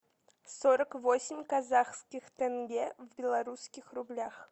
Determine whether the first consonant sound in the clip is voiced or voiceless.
voiceless